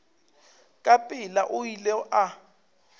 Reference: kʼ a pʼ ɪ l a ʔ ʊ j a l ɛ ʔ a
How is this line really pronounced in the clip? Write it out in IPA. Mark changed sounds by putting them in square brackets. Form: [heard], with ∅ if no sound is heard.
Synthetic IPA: kʼ a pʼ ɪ l a ʔ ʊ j [i] l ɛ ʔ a